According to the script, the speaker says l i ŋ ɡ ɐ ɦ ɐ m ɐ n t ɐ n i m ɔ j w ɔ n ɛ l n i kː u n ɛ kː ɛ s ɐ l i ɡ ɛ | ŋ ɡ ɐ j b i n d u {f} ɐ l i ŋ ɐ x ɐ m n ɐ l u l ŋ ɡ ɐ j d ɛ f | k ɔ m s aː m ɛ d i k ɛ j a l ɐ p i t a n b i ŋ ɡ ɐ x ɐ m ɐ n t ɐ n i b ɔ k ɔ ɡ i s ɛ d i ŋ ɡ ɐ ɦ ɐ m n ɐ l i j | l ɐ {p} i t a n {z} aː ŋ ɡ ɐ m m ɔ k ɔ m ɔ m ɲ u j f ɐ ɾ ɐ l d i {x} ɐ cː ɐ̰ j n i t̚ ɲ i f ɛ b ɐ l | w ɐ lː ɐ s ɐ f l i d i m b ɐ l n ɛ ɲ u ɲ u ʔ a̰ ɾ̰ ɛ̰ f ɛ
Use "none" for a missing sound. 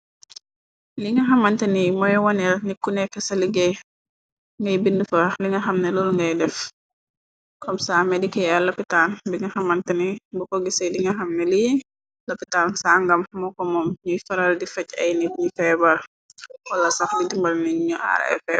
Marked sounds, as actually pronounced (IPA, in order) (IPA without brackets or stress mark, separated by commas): f, p, s, f